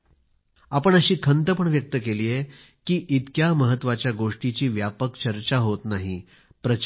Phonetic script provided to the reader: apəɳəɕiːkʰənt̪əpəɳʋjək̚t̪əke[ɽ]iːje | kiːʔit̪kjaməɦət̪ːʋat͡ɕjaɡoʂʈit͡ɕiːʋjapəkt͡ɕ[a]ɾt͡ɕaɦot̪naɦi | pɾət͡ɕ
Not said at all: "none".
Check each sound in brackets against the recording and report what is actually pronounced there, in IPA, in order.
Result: l, ə

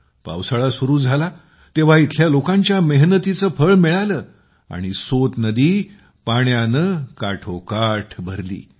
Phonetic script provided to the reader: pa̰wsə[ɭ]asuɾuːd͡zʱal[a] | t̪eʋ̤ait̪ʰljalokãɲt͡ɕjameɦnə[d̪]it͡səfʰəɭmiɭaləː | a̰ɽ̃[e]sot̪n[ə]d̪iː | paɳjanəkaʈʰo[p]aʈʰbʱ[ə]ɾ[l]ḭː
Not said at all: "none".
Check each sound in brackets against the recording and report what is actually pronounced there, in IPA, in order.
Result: ɭ, a, t̪, i, ə, k, ə, l

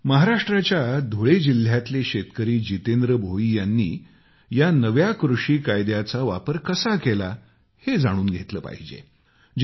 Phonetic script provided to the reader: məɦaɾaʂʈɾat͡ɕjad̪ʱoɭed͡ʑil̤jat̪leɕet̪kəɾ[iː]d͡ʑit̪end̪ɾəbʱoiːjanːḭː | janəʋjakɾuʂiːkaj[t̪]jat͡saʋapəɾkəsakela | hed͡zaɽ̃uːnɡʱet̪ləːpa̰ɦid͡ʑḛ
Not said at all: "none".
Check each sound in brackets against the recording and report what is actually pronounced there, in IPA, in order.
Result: iː, d̪

